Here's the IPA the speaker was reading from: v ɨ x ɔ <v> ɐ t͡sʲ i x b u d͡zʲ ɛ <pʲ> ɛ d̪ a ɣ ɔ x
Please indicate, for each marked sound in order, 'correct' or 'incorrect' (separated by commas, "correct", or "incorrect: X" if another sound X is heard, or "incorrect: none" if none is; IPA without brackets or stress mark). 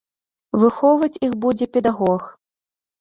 correct, correct